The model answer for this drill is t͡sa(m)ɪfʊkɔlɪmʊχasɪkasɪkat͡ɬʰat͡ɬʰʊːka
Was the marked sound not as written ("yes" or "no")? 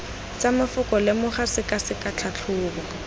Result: no